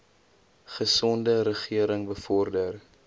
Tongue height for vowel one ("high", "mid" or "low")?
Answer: mid